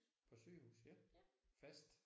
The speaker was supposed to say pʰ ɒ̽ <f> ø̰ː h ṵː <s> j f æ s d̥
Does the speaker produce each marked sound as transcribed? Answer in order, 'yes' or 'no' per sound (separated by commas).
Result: no, yes